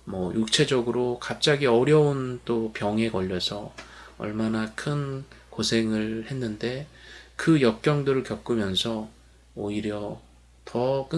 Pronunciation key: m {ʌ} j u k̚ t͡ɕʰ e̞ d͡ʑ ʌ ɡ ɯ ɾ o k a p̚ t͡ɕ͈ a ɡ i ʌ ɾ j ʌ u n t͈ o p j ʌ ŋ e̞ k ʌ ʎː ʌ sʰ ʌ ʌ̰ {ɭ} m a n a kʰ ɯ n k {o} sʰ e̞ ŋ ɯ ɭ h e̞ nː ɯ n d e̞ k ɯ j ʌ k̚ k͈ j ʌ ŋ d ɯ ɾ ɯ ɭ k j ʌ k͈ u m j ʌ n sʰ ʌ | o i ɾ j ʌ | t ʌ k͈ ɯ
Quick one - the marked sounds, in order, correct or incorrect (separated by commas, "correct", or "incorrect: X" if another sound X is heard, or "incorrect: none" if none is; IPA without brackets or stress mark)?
correct, correct, correct